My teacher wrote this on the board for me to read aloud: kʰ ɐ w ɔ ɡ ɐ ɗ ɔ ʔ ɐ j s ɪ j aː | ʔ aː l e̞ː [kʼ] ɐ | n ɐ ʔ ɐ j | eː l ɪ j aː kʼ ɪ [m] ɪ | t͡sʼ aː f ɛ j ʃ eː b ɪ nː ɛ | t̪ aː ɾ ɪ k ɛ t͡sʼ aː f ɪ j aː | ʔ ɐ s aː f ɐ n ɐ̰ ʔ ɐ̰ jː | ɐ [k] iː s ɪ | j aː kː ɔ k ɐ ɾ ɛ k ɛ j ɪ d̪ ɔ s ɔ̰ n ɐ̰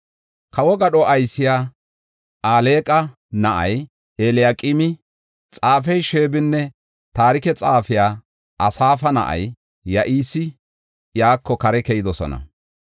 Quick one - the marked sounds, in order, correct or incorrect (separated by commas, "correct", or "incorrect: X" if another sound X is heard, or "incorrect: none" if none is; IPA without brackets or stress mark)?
correct, correct, incorrect: ʔ